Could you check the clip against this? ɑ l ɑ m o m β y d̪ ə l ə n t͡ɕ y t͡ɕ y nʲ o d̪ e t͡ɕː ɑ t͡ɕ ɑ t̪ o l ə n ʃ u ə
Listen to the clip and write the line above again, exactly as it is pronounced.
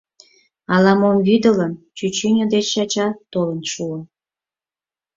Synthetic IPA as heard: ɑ l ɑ m o m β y d̪ ə l ə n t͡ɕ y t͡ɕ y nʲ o d̪ e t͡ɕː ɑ t͡ɕ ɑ t̪ o l ə n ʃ u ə